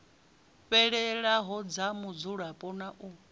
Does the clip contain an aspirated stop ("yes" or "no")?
no